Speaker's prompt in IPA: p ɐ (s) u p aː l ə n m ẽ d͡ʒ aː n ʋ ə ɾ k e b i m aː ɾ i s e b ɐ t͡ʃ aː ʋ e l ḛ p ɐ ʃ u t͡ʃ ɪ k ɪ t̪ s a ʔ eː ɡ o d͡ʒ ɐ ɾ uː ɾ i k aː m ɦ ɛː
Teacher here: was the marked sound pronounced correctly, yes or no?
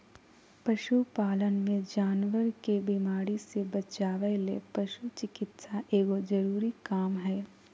no